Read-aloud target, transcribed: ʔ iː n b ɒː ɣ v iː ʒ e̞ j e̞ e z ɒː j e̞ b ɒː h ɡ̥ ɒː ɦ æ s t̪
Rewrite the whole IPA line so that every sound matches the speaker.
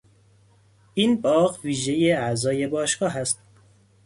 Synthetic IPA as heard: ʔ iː n b ɒː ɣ v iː ʒ e̞ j e̞ æ z ɒː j e̞ b ɒː ʃ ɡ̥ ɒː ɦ æ s t̪